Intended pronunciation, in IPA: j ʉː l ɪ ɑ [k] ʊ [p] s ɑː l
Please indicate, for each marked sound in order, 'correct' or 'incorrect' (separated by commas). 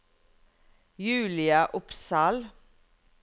incorrect, correct